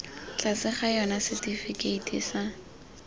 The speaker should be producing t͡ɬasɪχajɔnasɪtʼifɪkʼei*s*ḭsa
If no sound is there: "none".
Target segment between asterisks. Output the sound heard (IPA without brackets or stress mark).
t